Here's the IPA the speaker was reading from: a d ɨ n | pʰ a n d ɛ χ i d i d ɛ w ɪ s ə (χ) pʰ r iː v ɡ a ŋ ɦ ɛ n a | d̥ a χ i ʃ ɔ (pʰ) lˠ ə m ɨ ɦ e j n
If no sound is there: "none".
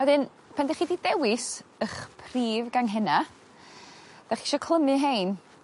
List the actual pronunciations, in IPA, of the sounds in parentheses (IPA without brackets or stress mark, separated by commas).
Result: χ, kʰ